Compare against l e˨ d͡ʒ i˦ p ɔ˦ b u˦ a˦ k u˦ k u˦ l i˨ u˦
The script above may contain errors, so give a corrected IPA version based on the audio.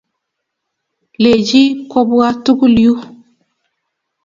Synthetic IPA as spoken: l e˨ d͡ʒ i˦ k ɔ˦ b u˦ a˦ t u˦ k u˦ l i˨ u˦